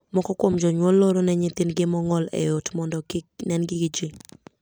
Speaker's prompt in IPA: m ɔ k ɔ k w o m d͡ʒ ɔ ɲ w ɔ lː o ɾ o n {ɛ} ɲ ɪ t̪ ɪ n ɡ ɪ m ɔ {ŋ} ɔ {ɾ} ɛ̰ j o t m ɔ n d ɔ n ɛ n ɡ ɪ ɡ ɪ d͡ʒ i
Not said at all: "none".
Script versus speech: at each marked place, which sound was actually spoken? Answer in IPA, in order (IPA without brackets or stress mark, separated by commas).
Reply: ɛ, ŋ, l